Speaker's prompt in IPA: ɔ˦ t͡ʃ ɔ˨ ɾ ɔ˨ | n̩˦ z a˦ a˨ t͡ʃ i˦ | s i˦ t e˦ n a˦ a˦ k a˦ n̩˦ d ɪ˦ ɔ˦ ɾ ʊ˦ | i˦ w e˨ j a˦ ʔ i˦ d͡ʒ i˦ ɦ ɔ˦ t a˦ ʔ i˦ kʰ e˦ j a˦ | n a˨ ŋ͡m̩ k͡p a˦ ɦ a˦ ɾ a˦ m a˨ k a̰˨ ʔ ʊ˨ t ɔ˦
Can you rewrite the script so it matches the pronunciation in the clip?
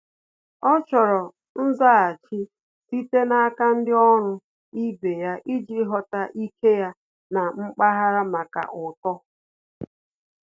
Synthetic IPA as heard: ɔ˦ t͡ʃ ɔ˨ ɾ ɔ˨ | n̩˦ z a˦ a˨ t͡ʃ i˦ | s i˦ t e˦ n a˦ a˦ k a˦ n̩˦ d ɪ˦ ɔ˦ ɾ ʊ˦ | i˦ b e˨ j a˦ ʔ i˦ d͡ʒ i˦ ɦ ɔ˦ t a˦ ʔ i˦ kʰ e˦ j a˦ | n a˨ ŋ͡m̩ k͡p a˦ ɦ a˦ ɾ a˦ m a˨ k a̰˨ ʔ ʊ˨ t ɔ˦

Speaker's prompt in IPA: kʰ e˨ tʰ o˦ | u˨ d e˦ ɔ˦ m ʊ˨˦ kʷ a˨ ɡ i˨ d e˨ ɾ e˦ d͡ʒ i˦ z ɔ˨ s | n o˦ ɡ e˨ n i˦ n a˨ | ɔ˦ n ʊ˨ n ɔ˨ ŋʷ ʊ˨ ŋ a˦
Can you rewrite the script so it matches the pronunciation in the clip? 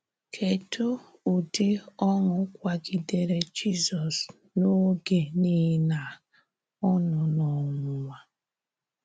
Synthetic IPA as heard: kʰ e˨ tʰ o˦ | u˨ d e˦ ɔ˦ ŋ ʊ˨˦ kʷ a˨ ɡ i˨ d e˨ ɾ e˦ d͡ʒ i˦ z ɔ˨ s | n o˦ ɡ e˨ n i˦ n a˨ | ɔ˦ n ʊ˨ n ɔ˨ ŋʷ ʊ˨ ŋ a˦

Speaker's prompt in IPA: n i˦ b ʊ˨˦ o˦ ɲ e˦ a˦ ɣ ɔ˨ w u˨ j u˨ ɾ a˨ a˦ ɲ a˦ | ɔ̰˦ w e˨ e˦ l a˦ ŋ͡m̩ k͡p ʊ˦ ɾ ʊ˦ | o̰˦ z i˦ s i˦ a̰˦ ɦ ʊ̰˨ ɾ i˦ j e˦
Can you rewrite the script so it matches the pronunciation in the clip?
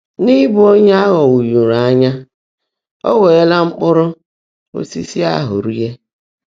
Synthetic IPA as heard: n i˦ b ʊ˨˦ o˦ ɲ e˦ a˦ ɣ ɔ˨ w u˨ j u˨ ɾ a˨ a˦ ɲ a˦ | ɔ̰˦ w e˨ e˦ l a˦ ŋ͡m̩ k͡p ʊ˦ ɾ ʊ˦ | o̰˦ s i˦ s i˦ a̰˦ ɦ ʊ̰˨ ɾ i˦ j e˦

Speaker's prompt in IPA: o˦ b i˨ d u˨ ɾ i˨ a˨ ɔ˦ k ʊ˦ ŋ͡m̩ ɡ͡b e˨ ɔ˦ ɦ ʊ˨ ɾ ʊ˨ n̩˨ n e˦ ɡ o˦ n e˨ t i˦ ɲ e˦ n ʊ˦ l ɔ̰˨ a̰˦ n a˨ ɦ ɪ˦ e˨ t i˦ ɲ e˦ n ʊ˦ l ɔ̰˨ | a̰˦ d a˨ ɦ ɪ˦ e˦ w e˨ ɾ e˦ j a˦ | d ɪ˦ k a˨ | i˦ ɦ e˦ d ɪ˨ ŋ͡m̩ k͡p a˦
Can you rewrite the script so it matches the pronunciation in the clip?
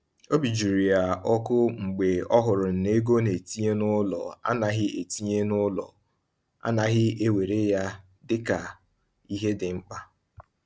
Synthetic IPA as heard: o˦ b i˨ d͡ʒ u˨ ɾ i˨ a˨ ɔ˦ k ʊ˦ ŋ͡m̩ ɡ͡b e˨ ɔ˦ ɦ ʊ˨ ɾ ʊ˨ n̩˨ n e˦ ɡ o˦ n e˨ t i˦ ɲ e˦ n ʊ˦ l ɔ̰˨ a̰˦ n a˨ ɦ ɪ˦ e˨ t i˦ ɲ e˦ n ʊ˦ l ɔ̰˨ | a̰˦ n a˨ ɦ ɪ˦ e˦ w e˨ ɾ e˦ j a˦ | d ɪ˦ k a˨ | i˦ ɦ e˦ d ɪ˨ ŋ͡m̩ k͡p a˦

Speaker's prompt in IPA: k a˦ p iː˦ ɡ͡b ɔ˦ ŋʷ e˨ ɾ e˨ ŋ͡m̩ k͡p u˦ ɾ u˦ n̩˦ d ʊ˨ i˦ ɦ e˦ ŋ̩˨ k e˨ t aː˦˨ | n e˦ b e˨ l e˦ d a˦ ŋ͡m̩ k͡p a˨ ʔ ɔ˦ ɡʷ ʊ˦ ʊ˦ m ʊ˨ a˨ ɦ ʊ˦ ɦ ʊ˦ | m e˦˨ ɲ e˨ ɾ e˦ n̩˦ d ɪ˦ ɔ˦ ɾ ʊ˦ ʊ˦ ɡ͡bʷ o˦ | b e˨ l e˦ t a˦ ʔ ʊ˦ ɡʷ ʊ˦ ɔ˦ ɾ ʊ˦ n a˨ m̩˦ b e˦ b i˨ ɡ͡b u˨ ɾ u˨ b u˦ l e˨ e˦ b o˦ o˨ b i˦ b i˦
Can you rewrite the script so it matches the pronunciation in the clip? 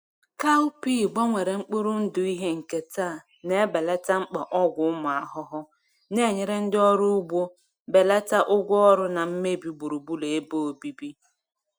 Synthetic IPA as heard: k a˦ p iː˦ ɡ͡b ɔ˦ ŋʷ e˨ ɾ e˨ ŋ͡m̩ k͡p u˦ ɾ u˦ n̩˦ d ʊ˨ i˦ ɦ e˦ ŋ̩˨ k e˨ t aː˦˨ | n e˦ b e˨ l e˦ t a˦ ŋ͡m̩ k͡p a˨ ʔ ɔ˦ ɡʷ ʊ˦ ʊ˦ m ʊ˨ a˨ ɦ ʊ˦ ɦ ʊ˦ | n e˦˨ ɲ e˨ ɾ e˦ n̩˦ d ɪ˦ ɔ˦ ɾ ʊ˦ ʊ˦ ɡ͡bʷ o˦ | b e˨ l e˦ t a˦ ʔ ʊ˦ ɡʷ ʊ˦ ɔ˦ ɾ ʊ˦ n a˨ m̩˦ m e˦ b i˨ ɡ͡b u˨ ɾ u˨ b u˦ l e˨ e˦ b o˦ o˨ b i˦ b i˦

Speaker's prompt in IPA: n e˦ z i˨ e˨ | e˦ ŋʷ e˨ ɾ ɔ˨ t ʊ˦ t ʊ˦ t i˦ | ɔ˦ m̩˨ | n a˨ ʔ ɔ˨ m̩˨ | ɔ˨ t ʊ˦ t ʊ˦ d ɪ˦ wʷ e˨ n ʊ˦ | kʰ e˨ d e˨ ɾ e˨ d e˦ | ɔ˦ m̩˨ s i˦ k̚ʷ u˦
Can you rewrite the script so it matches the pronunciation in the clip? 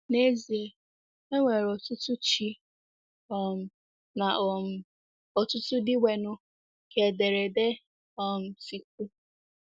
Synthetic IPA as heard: n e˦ z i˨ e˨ | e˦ ŋʷ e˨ ɾ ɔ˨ t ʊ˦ t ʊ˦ t͡ʃ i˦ | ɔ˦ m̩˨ | n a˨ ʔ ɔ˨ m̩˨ | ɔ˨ t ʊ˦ t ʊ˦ d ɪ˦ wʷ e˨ n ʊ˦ | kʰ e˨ d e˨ ɾ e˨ d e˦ | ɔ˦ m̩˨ s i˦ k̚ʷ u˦

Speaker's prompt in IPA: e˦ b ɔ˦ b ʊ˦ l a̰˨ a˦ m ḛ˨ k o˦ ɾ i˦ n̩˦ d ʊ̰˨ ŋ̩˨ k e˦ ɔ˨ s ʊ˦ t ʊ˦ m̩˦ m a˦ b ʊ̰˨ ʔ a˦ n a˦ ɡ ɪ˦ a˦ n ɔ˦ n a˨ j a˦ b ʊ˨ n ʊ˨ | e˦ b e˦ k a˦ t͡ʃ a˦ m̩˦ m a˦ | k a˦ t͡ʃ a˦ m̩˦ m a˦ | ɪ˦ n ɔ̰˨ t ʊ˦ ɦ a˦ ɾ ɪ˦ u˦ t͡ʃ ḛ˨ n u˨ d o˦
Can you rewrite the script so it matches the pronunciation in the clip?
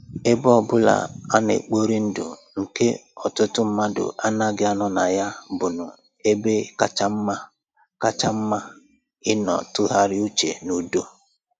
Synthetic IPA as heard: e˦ b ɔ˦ b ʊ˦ l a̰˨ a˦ n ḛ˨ k͡p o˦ ɾ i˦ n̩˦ d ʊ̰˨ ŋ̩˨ k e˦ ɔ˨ t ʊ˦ t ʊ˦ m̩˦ m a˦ d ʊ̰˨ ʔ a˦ n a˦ ɡ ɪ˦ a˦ n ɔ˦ n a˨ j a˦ b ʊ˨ n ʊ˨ | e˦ b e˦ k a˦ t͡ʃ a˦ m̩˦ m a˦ | k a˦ t͡ʃ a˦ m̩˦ m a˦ | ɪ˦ n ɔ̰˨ t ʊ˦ ɦ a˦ ɾ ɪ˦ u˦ t͡ʃ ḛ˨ n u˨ d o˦

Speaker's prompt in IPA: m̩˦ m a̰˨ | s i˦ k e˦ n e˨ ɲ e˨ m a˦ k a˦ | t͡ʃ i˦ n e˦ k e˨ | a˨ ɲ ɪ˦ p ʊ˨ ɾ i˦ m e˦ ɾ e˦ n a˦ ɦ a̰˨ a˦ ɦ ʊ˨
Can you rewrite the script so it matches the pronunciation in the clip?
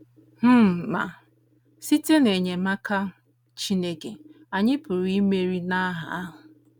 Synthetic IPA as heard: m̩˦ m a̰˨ | s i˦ t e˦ n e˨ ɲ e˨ m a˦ k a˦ | t͡ʃ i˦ n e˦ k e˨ | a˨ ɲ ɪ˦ p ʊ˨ ɾ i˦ m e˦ ɾ i˦ n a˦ ɦ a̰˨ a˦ ɦ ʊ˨

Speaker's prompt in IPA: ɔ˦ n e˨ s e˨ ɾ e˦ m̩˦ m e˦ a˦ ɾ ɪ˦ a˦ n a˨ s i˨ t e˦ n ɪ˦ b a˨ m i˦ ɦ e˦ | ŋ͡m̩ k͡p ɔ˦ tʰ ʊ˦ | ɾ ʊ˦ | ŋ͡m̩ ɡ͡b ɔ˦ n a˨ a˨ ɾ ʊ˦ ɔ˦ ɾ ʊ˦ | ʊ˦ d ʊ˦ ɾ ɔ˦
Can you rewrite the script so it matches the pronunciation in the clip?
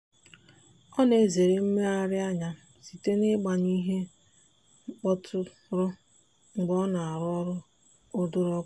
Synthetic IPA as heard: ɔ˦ n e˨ z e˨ ɾ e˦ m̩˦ m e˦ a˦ ɾ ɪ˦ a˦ ɲ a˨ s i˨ t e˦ n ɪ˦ ɡ͡b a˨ ɲ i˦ ɦ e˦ | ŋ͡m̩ k͡p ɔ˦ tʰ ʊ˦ | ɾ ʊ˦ | ŋ͡m̩ ɡ͡b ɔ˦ n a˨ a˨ ɾ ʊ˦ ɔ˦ ɾ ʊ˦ | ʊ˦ d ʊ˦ ɾ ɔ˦

